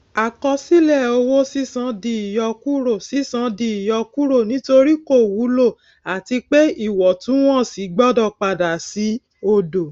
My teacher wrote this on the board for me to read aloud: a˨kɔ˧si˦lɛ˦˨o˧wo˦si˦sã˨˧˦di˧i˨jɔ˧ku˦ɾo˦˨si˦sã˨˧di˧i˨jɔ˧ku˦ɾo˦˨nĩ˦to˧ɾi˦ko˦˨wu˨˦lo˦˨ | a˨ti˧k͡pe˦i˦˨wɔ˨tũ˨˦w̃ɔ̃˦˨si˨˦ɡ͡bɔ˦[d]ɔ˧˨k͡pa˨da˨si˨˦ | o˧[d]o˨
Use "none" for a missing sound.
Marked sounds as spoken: d, d

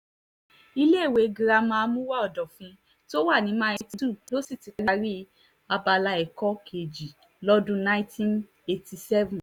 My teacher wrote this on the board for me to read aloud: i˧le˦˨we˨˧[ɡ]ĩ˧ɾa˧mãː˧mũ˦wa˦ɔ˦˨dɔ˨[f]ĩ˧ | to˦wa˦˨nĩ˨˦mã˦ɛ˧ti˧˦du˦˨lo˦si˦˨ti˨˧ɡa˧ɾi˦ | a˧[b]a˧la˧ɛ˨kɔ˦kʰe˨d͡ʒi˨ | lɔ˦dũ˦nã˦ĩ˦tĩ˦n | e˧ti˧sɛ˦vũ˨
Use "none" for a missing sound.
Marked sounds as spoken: ɡ, f, b

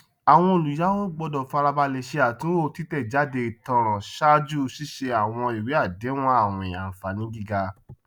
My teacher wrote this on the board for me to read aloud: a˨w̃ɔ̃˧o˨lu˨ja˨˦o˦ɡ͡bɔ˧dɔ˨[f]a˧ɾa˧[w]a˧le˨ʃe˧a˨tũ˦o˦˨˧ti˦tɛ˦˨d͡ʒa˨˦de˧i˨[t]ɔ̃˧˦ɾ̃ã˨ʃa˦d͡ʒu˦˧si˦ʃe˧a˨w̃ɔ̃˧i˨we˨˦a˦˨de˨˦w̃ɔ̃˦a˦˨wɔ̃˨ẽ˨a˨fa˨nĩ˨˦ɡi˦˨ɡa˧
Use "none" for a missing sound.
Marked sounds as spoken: f, b, t

